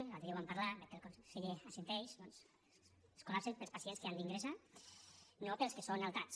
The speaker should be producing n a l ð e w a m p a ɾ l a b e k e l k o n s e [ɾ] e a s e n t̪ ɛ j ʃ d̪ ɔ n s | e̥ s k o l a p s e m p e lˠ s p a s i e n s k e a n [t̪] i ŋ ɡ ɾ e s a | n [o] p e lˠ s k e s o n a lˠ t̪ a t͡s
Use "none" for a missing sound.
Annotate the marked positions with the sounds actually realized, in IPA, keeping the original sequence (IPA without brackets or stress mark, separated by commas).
ʎ, d̪, o